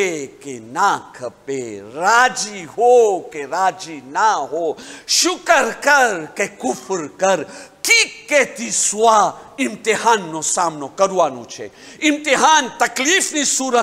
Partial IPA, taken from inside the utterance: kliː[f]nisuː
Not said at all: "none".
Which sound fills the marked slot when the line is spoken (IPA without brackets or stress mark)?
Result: f